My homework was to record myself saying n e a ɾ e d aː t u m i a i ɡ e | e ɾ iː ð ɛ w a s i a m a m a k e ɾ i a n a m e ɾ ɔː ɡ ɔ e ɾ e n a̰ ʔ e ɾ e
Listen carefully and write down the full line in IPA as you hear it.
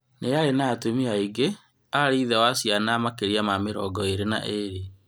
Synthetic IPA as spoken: n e a ɾ e n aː t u m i a i ɡ e | a ɾ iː ð ɛ w a s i a n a m a k e ɾ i a m a m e ɾ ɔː ɡ ɔ e ɾ e n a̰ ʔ e ɾ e